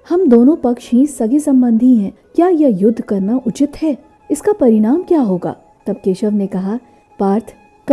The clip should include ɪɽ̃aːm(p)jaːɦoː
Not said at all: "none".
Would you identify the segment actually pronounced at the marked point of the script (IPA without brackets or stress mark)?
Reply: k